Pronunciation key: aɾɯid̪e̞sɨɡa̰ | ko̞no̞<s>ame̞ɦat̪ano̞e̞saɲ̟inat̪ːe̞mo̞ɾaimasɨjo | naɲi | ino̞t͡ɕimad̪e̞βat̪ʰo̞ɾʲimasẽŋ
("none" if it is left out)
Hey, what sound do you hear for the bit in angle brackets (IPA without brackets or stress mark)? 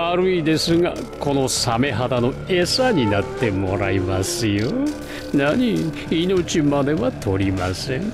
s